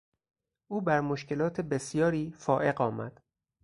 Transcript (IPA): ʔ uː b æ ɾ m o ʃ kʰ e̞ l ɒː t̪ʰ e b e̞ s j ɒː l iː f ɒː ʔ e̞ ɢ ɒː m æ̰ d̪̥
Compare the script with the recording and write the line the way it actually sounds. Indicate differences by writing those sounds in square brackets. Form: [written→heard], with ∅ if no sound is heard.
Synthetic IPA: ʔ uː b æ ɾ m o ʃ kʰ e̞ l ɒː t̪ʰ e b e̞ s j ɒː [l→ɾ] iː f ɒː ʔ e̞ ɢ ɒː m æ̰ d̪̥